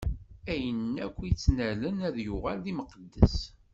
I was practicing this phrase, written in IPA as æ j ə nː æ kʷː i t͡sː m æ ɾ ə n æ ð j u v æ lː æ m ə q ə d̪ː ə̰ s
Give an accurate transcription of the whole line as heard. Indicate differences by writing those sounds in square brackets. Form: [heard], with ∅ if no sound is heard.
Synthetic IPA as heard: æ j ə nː æ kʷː i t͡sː [n] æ [l] ə n æ ð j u [ʁ] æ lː [i] m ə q ə d̪ː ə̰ s